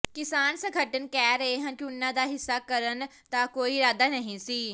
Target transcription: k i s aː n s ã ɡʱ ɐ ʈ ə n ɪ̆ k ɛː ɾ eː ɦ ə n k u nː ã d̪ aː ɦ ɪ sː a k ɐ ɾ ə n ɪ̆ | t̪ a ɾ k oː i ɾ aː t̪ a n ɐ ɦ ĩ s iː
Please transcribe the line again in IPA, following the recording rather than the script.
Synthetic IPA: k ɪ s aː n s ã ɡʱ ɐ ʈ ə n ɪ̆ k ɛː ɾ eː ɦ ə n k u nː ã d̪ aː ɦ ɪ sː a k ɐ ɾ ə n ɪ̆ | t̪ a k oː i ɾ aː d̪ a n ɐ ɦ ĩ s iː

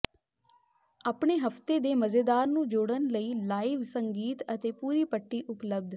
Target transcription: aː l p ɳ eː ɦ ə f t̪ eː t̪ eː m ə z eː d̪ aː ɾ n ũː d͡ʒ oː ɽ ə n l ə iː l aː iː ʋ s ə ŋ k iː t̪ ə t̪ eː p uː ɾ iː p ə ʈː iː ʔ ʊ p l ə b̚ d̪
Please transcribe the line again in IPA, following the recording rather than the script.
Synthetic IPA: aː p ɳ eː ɦ ə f t̪ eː d̪ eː m ə z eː d̪ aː ɾ n ũː d͡ʒ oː ɽ ə n l ə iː l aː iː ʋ s ə ŋ ɡ iː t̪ ə t̪ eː p uː ɾ iː p ə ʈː iː ʔ ʊ p l ə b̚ d̪

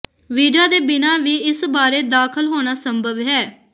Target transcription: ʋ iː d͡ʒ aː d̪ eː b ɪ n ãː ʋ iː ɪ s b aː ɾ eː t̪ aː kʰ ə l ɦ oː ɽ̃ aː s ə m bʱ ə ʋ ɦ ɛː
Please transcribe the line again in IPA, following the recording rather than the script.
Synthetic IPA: ʋ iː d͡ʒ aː d̪ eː b ɪ n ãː ʋ iː ɪ s b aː ɾ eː d̪ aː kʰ ə l ɦ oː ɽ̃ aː s ə m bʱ ə ʋ ɦ ɛː

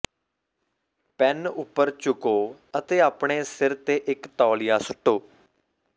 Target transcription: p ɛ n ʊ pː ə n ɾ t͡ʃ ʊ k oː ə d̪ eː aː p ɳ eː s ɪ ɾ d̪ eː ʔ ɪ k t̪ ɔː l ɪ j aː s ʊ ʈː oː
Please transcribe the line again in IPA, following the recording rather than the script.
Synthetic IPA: p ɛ n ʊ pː ə ɾ t͡ʃ ʊ k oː ə t̪ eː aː p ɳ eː s ɪ ɾ t̪ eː ʔ ɪ k t̪ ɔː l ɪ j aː s ʊ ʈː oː

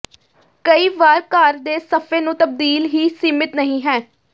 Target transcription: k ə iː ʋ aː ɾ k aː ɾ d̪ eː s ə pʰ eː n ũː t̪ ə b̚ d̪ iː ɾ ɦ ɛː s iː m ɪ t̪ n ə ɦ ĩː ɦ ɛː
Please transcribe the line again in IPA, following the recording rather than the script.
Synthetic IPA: k ə iː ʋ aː ɾ k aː ɾ d̪ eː s ə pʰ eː n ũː t̪ ə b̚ d̪ iː l ɦ iː s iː m ɪ t̪ n ə ɦ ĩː ɦ ɛː

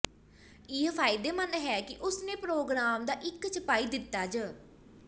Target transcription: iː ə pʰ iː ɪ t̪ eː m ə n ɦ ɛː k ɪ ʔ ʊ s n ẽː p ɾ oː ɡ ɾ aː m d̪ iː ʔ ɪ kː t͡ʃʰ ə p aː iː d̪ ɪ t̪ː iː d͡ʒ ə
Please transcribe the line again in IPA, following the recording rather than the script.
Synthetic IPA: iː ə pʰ aː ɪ d̪ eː m ə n ɦ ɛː k ɪ ʔ ʊ s n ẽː p ɾ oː ɡ ɾ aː m d̪ aː ʔ ɪ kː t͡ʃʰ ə p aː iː d̪ ɪ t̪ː aː d͡ʒ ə

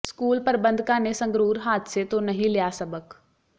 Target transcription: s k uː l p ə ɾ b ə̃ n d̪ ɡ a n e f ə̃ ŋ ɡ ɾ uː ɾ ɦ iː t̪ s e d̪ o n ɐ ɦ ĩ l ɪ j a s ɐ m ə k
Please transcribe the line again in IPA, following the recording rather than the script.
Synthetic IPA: s k uː l p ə ɾ b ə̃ n d̪ k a n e s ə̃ ŋ ɡ ɾ uː ɾ ɦ aː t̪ s e t̪ o n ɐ ɦ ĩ l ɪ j a s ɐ b ə k

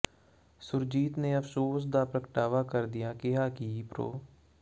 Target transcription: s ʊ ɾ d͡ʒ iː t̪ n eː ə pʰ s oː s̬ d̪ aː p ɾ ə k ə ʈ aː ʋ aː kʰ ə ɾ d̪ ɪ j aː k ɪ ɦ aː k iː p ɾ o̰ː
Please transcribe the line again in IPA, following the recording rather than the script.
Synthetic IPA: s ʊ ɾ d͡ʒ iː t̪ n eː ə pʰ s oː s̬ d̪ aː p ɾ ə k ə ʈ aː ʋ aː k ə ɾ d̪ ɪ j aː k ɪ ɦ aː k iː p ɾ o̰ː

